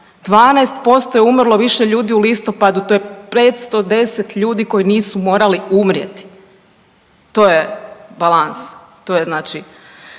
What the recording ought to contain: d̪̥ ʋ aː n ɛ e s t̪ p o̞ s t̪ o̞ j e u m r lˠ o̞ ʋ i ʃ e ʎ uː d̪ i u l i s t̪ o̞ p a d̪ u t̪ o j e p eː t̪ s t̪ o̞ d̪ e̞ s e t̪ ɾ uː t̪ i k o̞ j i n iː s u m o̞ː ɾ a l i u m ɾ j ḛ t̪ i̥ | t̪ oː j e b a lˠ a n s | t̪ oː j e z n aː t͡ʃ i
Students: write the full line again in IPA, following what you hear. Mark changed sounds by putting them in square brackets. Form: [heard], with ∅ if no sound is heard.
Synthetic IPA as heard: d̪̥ ʋ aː n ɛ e s t̪ p o̞ s t̪ o̞ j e u m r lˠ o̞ ʋ i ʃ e ʎ uː d̪ i u l i s t̪ o̞ p a d̪ u t̪ o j e p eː t̪ s t̪ o̞ d̪ e̞ s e t̪ [ʎ] uː [d̪] i k o̞ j i n iː s u m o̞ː ɾ a l i u m ɾ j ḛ t̪ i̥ | t̪ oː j e b a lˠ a n s | t̪ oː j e z n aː t͡ʃ i